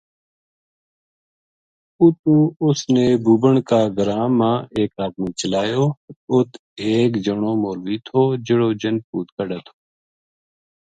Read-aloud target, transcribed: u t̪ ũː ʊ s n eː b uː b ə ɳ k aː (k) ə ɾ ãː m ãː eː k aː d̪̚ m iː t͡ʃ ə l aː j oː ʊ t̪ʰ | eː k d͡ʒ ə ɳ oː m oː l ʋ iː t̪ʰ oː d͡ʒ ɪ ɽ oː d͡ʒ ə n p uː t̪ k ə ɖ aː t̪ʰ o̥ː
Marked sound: incorrect: ɡ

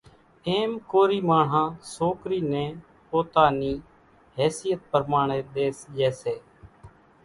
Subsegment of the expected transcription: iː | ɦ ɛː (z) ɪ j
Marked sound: incorrect: s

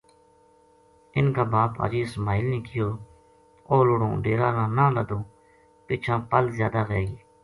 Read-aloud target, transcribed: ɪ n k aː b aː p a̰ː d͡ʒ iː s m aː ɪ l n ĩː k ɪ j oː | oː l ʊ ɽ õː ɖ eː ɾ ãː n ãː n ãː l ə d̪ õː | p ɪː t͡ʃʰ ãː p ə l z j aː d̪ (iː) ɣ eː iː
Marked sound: incorrect: aː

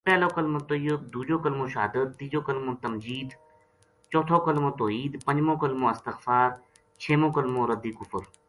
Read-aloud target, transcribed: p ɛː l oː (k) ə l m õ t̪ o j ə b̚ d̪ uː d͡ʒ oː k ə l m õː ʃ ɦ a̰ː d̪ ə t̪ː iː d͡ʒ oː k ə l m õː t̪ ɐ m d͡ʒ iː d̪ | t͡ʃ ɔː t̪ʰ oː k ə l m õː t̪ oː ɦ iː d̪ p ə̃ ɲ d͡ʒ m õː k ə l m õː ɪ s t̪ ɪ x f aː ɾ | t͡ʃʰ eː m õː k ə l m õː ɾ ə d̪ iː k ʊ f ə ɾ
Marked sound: correct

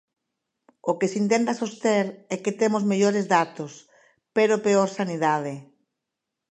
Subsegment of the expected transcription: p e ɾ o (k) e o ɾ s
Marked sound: incorrect: p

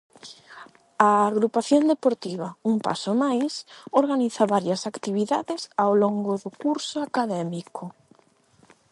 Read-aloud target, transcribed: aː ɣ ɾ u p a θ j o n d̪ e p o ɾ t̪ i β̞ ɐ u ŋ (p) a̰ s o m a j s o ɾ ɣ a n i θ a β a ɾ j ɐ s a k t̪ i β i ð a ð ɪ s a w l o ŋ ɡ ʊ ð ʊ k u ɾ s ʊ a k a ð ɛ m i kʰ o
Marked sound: correct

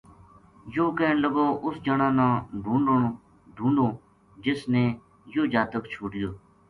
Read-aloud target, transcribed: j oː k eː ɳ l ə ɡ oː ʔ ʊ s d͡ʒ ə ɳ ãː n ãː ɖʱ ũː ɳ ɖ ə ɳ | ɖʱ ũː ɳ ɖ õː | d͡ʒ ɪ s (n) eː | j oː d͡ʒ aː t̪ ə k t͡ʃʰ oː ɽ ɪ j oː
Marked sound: correct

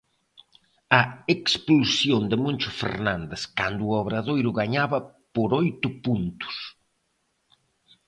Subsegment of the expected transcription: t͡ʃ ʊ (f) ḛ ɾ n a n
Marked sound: correct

